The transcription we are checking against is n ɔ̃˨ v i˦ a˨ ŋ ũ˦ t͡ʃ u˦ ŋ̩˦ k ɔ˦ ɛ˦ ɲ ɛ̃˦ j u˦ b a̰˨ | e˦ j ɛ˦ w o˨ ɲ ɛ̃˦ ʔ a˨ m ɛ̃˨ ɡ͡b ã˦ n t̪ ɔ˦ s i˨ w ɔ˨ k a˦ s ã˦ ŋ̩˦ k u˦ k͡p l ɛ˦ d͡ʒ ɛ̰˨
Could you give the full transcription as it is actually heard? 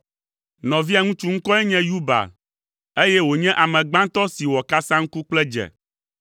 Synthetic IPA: n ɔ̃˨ v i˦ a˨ ŋ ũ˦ t͡ʃ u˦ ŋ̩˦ k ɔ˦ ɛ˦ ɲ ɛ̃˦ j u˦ b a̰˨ | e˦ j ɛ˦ w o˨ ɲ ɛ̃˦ ʔ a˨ m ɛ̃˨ ɡ͡b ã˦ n t̪ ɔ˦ s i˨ w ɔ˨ k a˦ s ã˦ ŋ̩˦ k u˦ k͡p l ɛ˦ d͡ʒ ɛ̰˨